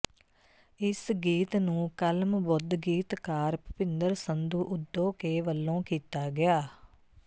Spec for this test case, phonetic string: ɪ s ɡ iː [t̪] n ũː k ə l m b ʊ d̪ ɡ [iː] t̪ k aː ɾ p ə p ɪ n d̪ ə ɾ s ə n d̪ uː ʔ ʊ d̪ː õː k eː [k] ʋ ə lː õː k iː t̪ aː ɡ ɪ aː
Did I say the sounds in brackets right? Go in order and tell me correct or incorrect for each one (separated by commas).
correct, correct, incorrect